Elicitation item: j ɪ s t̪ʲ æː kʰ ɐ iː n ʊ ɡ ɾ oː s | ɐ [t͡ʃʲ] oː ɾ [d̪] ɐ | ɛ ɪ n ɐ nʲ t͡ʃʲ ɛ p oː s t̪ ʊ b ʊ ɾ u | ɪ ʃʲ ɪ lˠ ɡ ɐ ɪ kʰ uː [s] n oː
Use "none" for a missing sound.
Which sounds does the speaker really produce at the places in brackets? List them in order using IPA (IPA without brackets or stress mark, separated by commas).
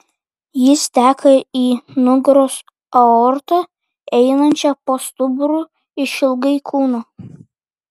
none, t̪, none